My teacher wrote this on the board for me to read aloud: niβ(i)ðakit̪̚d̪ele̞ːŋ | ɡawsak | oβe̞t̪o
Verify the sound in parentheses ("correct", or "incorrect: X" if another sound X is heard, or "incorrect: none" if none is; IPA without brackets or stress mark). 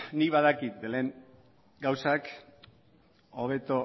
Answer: incorrect: a